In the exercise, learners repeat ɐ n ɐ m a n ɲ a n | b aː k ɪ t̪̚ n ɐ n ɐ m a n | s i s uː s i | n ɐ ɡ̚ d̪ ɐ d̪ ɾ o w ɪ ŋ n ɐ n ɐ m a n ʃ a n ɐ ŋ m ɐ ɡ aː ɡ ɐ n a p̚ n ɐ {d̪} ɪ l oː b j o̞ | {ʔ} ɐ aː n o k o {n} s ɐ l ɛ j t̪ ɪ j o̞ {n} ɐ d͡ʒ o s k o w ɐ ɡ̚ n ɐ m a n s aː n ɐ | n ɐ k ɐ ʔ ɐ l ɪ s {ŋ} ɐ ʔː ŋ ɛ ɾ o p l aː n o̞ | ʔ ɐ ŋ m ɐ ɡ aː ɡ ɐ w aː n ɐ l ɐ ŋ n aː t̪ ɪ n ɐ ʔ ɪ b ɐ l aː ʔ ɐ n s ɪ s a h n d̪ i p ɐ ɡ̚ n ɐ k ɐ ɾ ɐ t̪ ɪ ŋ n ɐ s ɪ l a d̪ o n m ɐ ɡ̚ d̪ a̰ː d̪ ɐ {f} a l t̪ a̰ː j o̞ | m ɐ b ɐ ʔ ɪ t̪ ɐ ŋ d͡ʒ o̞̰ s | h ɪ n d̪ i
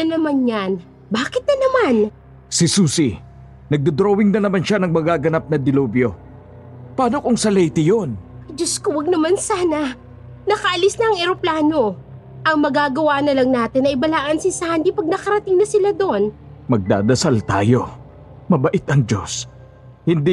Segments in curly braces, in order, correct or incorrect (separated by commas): correct, incorrect, incorrect, correct, incorrect, incorrect